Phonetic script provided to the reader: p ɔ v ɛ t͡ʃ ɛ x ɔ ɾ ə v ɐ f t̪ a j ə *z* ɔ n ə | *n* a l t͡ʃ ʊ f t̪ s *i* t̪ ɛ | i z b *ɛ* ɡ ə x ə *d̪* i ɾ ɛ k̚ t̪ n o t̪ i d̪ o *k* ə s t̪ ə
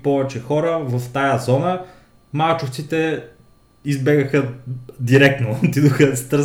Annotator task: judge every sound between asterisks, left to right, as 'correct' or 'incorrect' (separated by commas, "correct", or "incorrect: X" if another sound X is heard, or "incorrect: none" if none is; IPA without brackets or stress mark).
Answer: correct, incorrect: m, correct, correct, correct, incorrect: x